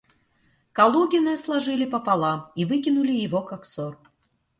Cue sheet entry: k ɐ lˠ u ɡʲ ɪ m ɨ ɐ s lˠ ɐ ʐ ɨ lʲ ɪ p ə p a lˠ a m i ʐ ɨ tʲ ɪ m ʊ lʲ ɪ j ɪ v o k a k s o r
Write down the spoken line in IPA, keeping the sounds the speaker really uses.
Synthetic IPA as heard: k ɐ lˠ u ɡʲ ɪ n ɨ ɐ s lˠ ɐ ʐ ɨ lʲ ɪ p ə p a lˠ a m i v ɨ kʲ ɪ n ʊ lʲ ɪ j ɪ v o k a k s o r